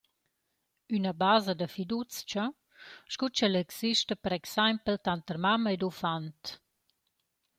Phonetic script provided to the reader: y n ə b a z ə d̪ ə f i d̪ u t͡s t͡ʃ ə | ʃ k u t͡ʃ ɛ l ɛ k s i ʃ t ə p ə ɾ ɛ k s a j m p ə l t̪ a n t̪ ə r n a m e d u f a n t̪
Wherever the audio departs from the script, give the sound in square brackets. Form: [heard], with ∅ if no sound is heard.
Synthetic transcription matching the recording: y n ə b a z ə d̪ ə f i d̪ u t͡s t͡ʃ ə | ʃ k u t͡ʃ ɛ l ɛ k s i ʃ t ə p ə ɾ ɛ k s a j m p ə l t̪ a n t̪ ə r [m] a m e d u f a n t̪